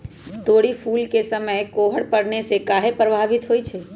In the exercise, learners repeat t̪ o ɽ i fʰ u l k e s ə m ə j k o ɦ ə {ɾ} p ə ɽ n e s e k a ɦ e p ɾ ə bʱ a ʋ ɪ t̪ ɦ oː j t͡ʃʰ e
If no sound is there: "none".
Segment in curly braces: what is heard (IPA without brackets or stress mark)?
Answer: ɽ